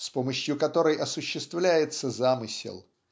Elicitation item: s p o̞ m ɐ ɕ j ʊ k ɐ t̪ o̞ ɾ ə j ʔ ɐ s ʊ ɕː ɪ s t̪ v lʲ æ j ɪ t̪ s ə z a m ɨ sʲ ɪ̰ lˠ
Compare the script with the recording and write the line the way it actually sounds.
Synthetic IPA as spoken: s p o̞ m ə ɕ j ʊ k ɐ t̪ o̞ ɾ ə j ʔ ɐ s ʊ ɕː ɪ s t̪ v lʲ æ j ɪ t̪ s ə z a m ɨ sʲ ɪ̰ lˠ